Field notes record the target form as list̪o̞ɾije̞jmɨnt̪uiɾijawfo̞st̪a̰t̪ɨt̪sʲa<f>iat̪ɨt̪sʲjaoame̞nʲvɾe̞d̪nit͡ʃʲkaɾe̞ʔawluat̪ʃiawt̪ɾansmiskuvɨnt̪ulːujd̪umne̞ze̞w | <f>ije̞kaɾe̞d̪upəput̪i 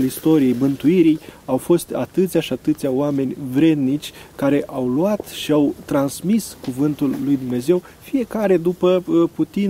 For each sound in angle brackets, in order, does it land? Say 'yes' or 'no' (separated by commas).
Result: no, yes